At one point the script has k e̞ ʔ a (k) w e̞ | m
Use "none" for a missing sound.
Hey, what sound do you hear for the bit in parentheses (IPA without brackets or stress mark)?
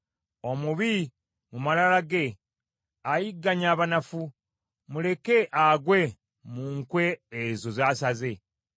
ɡ